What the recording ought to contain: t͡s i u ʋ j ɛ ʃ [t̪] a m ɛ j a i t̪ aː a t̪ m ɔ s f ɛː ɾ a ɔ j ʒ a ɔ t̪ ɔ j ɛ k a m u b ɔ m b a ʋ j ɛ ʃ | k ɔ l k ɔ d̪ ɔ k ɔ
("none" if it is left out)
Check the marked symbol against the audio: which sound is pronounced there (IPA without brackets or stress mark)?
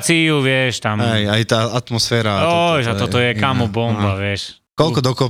t̪